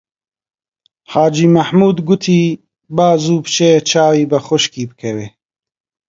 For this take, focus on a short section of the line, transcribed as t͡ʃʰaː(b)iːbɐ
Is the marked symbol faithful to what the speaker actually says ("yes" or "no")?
no